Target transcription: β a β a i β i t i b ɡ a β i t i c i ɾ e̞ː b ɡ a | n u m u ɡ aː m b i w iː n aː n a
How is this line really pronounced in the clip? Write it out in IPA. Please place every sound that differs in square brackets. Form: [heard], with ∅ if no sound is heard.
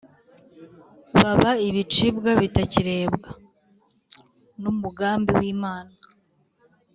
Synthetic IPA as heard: β a β a i β i [t͡ʃ] i b ɡ a β i t [a] c i ɾ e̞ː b ɡ a | n u m u ɡ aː m b i w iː [m] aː n a